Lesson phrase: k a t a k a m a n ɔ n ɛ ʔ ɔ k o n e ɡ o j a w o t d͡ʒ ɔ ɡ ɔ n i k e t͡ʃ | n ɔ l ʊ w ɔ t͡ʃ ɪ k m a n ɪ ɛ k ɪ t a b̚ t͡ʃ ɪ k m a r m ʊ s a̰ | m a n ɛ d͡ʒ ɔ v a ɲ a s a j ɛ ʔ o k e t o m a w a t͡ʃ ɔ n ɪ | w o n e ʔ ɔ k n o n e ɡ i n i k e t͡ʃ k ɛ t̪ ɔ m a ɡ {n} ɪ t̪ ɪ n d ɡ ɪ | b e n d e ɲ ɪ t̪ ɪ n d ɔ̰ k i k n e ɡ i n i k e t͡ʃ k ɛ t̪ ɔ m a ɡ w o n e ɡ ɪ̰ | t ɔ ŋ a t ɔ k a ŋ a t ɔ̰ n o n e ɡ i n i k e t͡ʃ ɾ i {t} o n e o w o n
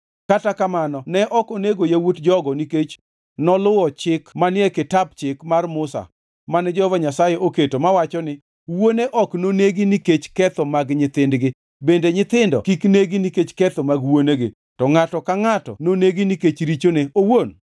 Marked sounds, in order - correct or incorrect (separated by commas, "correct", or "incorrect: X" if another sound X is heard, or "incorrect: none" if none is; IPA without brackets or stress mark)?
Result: incorrect: ɲ, incorrect: t͡ʃ